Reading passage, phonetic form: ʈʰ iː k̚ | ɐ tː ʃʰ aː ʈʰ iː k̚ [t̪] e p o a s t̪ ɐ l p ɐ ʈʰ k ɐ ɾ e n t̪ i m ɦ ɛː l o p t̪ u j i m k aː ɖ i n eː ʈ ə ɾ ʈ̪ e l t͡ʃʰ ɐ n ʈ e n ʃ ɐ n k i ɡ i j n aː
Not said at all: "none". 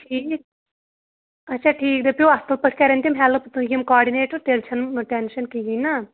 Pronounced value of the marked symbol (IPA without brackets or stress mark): d̪